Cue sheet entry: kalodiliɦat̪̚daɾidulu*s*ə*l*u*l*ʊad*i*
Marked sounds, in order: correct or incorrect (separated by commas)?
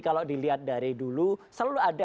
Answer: correct, correct, correct, incorrect